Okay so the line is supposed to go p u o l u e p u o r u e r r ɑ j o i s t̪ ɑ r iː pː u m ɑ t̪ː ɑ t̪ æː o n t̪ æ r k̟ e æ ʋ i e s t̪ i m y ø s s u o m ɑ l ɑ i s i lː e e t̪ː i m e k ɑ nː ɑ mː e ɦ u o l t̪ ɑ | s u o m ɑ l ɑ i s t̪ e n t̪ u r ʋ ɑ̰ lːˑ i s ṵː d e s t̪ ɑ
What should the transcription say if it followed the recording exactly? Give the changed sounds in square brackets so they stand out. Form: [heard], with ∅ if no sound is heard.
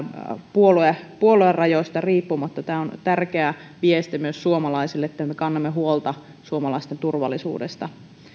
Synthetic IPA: p u o l u e p u o [l] u e r r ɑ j o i s t̪ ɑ r iː pː u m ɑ t̪ː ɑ t̪ æː o n t̪ æ r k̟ e æ ʋ i e s t̪ i m y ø s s u o m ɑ l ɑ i s i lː e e t̪ː [æ] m e k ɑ nː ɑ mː e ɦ u o l t̪ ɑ | s u o m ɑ l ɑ i s t̪ e n t̪ u r ʋ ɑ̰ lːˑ i s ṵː d e s t̪ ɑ